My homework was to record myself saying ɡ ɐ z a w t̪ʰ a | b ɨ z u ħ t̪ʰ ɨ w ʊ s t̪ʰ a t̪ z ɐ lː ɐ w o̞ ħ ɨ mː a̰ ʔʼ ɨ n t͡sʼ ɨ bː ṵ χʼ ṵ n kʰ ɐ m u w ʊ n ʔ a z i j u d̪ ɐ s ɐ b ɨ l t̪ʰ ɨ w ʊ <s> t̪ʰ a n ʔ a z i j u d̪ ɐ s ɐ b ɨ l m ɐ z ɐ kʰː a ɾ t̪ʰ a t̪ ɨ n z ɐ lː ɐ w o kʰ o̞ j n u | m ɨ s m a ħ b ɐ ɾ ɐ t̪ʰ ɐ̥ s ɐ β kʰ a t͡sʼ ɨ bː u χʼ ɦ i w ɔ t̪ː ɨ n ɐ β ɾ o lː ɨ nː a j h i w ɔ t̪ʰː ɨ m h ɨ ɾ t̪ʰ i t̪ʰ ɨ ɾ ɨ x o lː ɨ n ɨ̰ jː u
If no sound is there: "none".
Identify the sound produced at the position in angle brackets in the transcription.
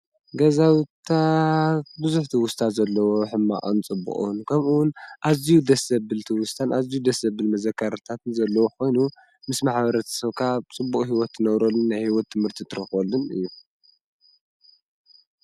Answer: s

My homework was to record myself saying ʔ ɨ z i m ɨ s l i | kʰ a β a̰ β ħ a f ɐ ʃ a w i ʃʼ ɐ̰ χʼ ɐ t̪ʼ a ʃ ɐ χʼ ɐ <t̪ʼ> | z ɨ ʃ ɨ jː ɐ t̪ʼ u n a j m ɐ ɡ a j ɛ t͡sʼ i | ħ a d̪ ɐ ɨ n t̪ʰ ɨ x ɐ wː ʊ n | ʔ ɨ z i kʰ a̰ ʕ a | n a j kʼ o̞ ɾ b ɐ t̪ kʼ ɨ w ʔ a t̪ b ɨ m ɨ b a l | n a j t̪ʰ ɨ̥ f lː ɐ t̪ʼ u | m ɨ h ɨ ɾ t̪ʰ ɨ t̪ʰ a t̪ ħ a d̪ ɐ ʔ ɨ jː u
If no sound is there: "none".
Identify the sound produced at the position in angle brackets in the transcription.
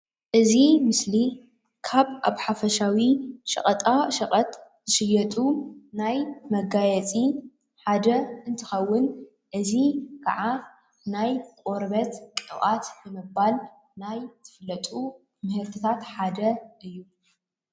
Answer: t̪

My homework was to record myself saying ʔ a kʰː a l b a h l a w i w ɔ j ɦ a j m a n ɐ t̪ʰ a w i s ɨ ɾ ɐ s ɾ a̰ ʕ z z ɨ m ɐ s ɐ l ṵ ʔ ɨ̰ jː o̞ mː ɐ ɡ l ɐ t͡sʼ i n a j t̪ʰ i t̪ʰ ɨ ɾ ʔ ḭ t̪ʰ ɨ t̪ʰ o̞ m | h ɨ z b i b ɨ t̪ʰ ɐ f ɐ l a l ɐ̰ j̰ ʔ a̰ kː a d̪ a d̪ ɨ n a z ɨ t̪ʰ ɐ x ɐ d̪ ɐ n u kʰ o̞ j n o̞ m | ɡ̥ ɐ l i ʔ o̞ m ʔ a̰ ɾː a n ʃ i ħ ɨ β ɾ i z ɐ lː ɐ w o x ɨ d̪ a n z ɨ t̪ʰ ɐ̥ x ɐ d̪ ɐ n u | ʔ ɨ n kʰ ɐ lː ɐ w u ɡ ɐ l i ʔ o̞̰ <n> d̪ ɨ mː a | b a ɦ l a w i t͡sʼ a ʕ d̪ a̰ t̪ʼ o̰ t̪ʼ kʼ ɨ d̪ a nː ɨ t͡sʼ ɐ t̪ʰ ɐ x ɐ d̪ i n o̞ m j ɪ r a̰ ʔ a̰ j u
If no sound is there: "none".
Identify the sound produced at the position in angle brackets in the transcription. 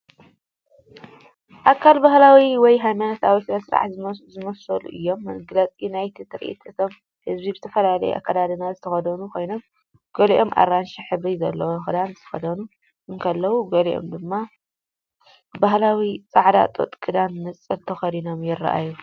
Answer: m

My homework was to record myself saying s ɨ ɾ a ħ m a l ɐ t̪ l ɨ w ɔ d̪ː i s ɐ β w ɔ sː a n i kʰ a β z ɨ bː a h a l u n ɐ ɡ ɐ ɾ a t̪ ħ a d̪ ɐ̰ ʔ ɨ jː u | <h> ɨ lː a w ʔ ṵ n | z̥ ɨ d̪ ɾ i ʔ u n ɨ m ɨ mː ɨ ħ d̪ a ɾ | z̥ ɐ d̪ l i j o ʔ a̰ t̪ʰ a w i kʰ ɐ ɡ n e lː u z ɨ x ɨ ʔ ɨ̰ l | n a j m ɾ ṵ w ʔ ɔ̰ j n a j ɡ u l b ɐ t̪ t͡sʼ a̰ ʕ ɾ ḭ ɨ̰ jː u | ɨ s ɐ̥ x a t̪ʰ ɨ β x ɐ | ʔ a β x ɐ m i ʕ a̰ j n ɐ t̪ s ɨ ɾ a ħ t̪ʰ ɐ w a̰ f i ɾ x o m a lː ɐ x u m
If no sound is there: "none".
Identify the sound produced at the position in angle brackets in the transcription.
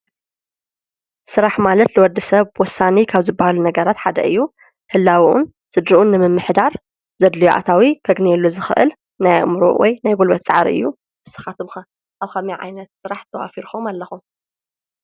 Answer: h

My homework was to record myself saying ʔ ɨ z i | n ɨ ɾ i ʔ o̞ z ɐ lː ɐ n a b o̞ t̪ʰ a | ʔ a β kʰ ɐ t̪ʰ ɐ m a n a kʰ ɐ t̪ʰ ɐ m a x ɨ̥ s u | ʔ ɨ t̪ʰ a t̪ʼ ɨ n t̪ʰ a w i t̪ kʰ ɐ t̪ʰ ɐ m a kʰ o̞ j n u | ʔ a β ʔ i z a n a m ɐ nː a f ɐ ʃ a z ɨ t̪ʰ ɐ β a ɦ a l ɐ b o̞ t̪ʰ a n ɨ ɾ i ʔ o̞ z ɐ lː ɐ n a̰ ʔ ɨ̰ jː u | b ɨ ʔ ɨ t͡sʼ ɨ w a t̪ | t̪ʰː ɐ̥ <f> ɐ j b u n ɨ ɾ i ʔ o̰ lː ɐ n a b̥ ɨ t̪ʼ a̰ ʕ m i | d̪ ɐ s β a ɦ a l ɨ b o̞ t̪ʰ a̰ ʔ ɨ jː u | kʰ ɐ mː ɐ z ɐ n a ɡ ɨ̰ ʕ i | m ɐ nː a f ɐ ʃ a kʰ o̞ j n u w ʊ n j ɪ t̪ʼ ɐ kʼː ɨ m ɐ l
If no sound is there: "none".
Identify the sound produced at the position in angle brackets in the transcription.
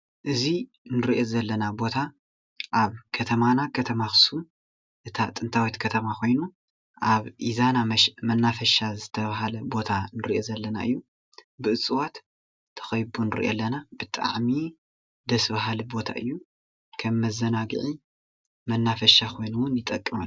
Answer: x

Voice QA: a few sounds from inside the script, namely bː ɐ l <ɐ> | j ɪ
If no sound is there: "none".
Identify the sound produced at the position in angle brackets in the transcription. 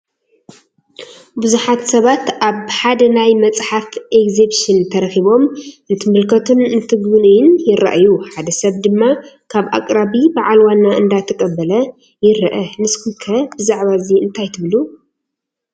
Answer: ɐ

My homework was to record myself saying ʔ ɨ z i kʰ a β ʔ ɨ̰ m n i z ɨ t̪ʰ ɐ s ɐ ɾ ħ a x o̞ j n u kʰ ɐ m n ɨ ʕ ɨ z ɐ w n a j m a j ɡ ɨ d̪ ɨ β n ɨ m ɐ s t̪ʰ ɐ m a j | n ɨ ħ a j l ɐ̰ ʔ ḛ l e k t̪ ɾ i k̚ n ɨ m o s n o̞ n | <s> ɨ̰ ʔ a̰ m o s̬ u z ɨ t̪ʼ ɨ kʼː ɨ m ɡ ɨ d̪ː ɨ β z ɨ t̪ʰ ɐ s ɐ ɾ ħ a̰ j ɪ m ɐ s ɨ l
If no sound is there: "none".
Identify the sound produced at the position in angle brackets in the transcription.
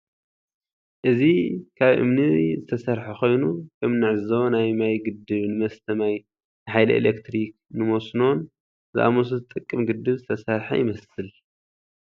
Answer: z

